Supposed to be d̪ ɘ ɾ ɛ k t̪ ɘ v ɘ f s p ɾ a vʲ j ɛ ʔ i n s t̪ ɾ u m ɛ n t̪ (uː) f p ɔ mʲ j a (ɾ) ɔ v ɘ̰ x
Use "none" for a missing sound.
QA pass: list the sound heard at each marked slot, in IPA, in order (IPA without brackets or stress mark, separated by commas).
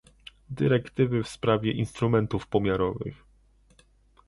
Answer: u, ɾ